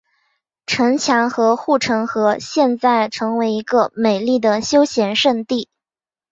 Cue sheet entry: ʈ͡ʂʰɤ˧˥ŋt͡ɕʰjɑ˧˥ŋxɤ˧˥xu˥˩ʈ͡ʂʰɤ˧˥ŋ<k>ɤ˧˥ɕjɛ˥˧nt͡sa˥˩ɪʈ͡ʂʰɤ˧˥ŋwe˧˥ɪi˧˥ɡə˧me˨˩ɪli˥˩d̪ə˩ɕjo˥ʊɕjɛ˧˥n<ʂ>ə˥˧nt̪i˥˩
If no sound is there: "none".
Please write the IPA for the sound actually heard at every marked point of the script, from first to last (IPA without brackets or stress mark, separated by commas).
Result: x, ʂ